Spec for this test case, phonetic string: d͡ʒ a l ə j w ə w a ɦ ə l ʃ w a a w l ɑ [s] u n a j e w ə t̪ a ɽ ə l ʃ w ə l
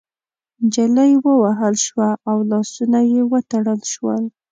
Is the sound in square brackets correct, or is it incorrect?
correct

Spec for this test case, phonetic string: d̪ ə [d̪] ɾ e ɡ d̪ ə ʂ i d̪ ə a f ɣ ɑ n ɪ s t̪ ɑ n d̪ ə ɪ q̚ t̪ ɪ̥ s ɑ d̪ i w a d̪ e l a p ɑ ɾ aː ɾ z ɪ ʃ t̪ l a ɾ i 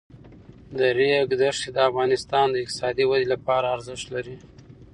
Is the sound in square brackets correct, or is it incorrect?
incorrect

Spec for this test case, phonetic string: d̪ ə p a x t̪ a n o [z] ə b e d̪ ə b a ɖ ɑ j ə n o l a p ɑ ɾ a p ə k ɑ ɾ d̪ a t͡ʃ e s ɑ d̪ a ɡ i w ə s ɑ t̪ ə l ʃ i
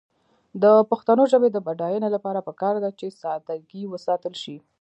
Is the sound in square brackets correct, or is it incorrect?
incorrect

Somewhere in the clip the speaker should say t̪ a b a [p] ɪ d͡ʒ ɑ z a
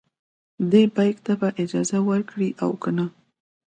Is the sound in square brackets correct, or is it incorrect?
incorrect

